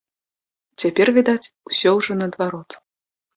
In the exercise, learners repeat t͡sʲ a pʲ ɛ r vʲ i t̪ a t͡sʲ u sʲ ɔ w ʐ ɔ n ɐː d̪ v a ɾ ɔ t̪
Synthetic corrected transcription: t͡sʲ a pʲ ɛ r vʲ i d̪ a t͡sʲ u sʲ ɔ w ʐ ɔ n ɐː d̪ v a ɾ ɔ t̪